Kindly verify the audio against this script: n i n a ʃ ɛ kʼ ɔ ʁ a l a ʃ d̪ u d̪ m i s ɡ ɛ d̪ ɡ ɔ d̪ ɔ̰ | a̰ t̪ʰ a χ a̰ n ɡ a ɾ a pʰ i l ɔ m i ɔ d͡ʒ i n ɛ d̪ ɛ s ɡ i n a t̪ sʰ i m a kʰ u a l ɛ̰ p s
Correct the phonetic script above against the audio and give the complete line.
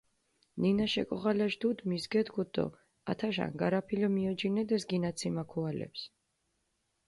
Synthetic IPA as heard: n i n a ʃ ɛ kʼ ɔ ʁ a l a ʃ d̪ u d̪ m i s ɡ ɛ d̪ ɡ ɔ d̪ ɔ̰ | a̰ t̪ʰ a ʃ a̰ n ɡ a ɾ a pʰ i l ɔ m i ɔ d͡ʒ i n ɛ d̪ ɛ s ɡ i n a t̪ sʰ i m a kʰ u a l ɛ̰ p s

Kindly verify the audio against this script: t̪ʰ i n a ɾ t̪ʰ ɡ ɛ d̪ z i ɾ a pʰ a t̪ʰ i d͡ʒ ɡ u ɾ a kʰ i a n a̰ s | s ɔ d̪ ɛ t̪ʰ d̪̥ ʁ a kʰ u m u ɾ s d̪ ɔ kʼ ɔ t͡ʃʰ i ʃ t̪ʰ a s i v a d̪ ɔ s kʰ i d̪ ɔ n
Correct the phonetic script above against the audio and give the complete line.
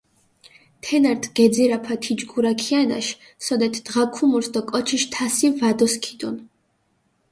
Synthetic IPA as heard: t̪ʰ ɛ n a ɾ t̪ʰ ɡ ɛ d̪ z i ɾ a pʰ a t̪ʰ i d͡ʒ ɡ u ɾ a kʰ i a n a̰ ʃ | s ɔ d̪ ɛ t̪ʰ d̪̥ ʁ a kʰ u m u ɾ s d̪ ɔ kʼ ɔ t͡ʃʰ i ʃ t̪ʰ a s i v a d̪ ɔ s kʰ i d̪ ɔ n

